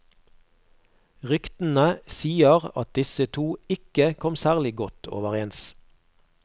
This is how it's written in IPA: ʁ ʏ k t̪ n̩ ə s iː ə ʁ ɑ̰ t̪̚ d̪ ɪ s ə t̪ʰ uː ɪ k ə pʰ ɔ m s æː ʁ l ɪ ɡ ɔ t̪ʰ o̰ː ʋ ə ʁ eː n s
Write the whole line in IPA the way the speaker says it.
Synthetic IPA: ʁ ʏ k t̪ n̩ ə s iː ə ʁ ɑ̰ t̪̚ d̪ ɪ s ə t̪ʰ uː ɪ k ə kʰ ɔ m s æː ʁ l ɪ ɡ ɔ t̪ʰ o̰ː ʋ ə ʁ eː n s